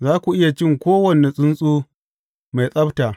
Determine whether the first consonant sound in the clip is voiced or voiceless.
voiced